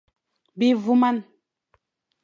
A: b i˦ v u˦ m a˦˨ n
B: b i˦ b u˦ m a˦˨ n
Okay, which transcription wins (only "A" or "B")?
A